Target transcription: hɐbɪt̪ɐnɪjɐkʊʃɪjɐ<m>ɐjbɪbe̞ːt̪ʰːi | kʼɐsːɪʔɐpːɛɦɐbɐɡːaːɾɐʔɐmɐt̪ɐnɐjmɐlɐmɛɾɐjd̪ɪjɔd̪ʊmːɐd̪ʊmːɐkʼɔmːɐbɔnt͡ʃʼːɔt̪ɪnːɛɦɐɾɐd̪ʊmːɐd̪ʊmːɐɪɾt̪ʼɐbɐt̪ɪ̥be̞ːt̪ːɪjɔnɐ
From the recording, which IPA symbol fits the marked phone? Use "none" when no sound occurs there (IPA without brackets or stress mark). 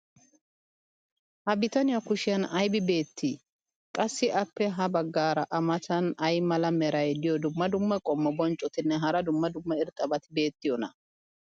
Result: n